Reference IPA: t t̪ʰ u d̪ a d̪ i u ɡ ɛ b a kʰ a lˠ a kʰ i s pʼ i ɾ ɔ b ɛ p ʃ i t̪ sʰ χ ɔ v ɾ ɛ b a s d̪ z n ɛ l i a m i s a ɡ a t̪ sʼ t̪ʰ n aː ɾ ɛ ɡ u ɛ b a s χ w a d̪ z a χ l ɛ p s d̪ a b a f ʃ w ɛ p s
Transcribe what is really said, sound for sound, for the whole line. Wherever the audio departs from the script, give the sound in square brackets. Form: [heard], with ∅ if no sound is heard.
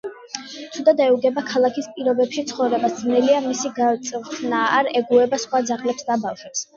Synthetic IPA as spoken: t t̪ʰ u d̪ a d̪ [ɛ] u ɡ ɛ b a kʰ a lˠ a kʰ i s pʼ i ɾ ɔ b ɛ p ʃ i t̪ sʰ χ ɔ v ɾ ɛ b a s d̪ z n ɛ l i a m i s [i] ɡ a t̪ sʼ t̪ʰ n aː ɾ ɛ ɡ u ɛ b a s χ w a d̪ z a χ l ɛ p s d̪ a b a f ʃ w ɛ p s

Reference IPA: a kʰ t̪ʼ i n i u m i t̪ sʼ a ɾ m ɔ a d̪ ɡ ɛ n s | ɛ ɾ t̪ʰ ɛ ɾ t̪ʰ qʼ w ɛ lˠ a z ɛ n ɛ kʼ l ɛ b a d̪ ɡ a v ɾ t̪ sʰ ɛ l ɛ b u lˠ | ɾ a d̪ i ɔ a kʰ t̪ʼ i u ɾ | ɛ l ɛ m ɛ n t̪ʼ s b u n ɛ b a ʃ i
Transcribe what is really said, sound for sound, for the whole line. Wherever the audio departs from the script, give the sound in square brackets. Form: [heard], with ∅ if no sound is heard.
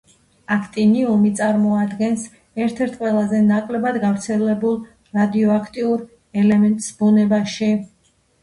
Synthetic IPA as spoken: a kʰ t̪ʼ i n i u m i t̪ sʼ a ɾ m ɔ a d̪ ɡ ɛ n s | ɛ ɾ t̪ʰ ɛ ɾ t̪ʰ qʼ w ɛ lˠ a z ɛ n [a] kʼ l ɛ b a d̪ ɡ a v ɾ t̪ sʰ ɛ l ɛ b u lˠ | ɾ a d̪ i ɔ a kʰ t̪ʼ i u ɾ | ɛ l ɛ m ɛ n t̪ʼ s b u n ɛ b a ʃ i

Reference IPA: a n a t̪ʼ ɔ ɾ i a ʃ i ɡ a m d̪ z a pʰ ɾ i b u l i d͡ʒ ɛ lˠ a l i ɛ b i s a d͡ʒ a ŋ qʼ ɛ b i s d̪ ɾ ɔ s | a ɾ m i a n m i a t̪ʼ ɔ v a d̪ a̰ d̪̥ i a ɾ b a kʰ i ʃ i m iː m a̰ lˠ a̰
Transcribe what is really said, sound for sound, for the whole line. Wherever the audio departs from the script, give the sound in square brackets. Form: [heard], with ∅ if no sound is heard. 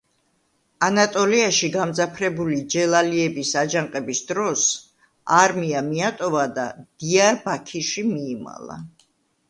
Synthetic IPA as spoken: a n a t̪ʼ ɔ [l] i a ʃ i ɡ a m d̪ z a pʰ ɾ [ɛ] b u l i d͡ʒ ɛ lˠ a l i ɛ b i s a d͡ʒ a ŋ qʼ ɛ b i s d̪ ɾ ɔ s | a ɾ m i a [∅] m i a t̪ʼ ɔ v a d̪ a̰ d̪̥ i a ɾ b a kʰ i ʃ i m iː m a̰ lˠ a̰

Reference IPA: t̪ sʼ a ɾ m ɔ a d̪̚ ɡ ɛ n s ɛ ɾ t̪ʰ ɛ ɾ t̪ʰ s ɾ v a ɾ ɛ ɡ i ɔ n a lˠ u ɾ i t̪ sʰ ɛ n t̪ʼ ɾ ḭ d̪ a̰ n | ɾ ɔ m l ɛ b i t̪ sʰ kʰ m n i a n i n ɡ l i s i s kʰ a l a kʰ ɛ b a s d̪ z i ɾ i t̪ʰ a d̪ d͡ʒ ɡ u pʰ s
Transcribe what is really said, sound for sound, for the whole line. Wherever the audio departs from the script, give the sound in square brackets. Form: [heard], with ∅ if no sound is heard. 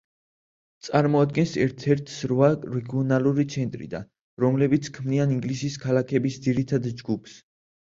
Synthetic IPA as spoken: t̪ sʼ a ɾ m ɔ a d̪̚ ɡ ɛ n s ɛ ɾ t̪ʰ ɛ ɾ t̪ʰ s ɾ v a ɾ ɛ ɡ i ɔ n a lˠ u ɾ i t̪ sʰ ɛ n t̪ʼ ɾ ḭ d̪ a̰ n | ɾ ɔ m l ɛ b i t̪ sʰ kʰ m n i a n i [ŋ] ɡ l i s i s kʰ a l a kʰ ɛ b [i] s d̪ z i ɾ i t̪ʰ a d̪ d͡ʒ ɡ u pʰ s

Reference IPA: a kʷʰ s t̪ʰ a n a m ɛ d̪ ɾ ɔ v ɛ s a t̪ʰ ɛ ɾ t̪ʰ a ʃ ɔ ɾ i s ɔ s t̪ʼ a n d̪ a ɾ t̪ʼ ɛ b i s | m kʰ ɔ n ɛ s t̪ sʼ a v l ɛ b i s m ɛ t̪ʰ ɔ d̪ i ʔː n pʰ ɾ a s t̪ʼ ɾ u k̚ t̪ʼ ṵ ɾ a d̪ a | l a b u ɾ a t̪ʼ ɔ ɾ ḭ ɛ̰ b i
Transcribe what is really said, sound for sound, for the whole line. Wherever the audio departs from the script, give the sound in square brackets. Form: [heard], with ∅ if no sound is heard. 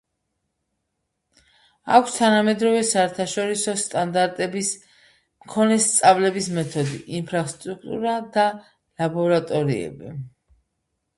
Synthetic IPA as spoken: a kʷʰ s t̪ʰ a n a m ɛ d̪ ɾ ɔ v ɛ s a [∅] ɛ ɾ t̪ʰ a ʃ ɔ ɾ i s ɔ s t̪ʼ a n d̪ a ɾ t̪ʼ ɛ b i s | m kʰ ɔ n ɛ s t̪ sʼ a v l ɛ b i s m ɛ t̪ʰ ɔ d̪ i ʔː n pʰ ɾ a s t̪ʼ ɾ u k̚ t̪ʼ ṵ ɾ a d̪ a | l a b [ɔ] ɾ a t̪ʼ ɔ ɾ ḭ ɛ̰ b i

